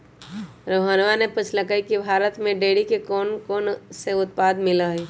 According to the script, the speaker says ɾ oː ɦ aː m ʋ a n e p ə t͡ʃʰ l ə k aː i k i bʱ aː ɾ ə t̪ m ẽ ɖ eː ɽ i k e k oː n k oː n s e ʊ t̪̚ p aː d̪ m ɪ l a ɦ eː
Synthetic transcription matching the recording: ɾ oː ɦ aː n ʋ a n e p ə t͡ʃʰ l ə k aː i k i bʱ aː ɾ ə t̪ m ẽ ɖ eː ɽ i k e k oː n k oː n s e ʊ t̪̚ p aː d̪ m ɪ l a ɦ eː